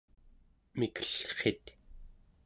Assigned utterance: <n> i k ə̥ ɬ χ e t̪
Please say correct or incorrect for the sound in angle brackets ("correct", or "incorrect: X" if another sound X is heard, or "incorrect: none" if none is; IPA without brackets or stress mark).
incorrect: m